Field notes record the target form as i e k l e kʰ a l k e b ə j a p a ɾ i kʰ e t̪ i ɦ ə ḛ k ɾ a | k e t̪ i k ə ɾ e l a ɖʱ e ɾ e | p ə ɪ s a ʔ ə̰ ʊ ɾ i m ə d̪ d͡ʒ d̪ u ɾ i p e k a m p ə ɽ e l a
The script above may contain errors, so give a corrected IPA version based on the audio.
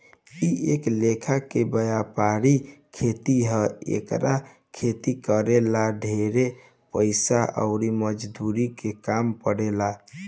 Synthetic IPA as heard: i e k l e kʰ a k e b ə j a p a ɾ i kʰ e t̪ i ɦ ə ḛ k ɾ a | kʰ e t̪ i k ə ɾ e l a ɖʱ e ɾ e | p ə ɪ s a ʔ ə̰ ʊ ɾ i m ə d͡ʒ d̪ u ɾ i k e k a m p ə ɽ e l a